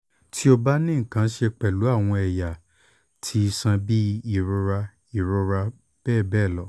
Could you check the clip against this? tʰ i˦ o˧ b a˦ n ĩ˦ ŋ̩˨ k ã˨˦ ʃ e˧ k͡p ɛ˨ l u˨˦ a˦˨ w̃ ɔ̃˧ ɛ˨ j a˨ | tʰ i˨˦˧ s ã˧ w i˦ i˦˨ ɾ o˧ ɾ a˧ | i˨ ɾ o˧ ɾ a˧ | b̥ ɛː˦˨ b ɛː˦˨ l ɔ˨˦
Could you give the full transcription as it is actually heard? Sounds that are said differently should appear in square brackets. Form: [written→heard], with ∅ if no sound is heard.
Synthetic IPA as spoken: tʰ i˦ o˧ b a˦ n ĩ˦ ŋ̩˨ k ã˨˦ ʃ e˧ k͡p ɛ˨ l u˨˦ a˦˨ w̃ ɔ̃˧ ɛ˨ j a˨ | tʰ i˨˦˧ s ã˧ [w→b] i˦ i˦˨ ɾ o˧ ɾ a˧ | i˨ ɾ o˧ ɾ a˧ | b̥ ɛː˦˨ b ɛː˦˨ l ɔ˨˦